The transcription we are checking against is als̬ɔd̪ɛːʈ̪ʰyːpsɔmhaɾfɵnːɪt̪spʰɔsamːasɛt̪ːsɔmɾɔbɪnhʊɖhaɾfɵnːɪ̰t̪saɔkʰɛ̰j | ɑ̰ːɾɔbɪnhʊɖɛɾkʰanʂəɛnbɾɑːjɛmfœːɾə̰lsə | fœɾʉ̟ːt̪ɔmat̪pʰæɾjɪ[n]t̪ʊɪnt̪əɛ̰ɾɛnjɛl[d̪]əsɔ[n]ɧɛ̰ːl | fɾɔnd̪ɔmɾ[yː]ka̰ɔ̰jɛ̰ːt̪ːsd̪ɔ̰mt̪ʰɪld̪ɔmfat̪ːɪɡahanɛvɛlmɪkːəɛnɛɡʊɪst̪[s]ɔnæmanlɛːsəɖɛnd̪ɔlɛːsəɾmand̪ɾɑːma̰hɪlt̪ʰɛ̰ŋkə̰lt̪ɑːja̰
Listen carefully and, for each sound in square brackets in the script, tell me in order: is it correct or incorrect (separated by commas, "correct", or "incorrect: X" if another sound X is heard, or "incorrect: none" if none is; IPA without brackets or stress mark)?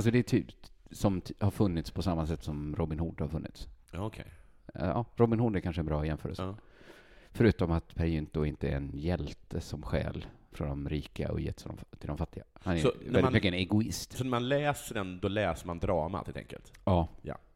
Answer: correct, incorrect: t̪, incorrect: m, incorrect: iː, correct